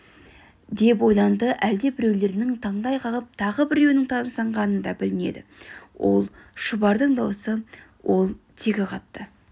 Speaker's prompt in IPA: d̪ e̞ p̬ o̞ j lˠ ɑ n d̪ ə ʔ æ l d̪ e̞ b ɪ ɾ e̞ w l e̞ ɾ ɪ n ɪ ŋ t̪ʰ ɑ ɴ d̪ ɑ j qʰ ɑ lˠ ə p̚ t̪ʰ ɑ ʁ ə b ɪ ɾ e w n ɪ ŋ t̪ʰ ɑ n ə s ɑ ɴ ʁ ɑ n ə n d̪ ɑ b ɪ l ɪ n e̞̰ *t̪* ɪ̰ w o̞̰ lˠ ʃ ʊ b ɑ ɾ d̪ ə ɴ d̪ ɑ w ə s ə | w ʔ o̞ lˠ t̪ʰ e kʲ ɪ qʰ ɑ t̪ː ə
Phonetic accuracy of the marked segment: incorrect: d̪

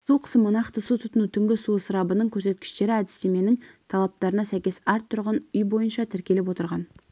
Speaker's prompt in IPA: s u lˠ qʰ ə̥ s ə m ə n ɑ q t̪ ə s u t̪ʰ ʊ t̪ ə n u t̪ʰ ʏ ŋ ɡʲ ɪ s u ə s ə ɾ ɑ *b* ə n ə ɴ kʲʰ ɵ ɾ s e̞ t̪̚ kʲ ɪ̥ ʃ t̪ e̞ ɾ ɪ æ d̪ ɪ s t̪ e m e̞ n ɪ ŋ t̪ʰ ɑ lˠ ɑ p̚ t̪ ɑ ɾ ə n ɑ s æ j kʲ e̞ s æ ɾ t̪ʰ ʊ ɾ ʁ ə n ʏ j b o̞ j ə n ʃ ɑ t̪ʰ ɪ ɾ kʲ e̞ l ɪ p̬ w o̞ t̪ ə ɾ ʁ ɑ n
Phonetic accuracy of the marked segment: correct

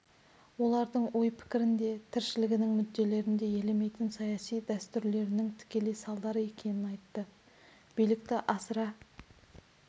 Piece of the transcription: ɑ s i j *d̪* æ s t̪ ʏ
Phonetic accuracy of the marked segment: correct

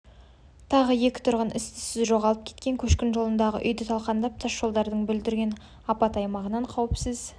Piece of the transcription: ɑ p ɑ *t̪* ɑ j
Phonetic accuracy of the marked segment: correct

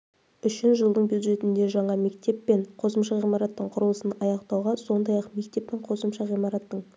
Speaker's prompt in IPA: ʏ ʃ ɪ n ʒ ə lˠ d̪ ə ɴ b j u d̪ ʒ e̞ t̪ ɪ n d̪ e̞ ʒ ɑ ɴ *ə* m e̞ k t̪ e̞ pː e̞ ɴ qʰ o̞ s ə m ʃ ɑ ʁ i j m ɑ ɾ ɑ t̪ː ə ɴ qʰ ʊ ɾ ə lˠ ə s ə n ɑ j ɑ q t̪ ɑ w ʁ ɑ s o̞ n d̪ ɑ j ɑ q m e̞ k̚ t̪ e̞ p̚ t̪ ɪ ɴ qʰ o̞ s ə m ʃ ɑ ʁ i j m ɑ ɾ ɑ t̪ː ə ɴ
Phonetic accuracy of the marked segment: incorrect: ɑ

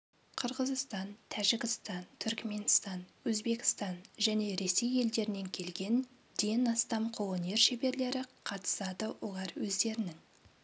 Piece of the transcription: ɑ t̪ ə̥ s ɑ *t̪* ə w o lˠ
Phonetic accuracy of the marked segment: incorrect: d̪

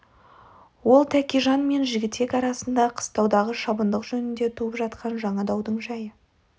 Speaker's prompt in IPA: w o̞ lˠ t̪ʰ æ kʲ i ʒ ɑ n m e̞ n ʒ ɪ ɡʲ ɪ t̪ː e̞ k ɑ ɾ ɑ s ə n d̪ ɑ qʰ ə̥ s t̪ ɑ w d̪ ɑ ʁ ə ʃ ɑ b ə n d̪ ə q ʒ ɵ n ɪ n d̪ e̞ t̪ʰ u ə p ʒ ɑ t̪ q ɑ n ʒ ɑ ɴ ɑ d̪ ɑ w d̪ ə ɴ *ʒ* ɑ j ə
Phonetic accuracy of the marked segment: correct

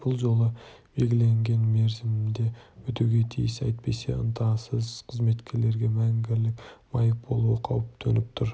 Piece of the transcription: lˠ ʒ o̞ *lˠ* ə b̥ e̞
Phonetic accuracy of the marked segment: correct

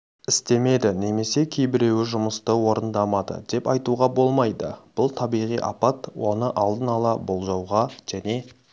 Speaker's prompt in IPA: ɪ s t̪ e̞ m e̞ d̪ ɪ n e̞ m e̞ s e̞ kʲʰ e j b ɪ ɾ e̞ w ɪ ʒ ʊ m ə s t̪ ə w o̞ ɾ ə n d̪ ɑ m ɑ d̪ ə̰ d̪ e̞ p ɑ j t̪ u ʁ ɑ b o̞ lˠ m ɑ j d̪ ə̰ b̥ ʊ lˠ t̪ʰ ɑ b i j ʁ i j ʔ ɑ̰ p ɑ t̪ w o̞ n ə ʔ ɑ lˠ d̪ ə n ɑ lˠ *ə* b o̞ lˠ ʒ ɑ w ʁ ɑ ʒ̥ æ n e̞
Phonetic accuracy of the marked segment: incorrect: ɑ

